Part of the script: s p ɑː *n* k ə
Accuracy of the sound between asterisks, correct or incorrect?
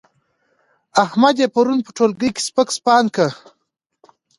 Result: correct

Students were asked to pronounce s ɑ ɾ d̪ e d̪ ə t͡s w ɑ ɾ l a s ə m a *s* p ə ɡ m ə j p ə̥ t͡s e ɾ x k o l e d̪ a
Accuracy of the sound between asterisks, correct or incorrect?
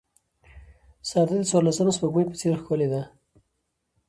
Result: correct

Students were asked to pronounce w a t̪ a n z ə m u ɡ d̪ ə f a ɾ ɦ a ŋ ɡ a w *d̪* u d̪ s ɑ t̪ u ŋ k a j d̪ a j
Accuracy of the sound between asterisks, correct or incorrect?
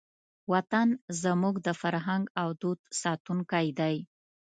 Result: correct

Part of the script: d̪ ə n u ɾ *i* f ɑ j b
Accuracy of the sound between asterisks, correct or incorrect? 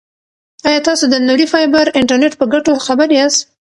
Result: correct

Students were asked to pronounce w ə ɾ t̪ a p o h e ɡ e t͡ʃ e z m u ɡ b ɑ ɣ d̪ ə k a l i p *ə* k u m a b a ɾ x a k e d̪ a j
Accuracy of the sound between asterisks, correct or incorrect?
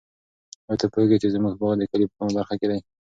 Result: correct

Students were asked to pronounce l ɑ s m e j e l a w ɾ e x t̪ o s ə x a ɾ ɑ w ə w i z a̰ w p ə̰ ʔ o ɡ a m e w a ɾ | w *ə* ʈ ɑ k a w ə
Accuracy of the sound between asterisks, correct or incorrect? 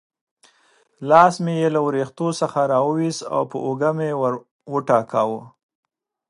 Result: correct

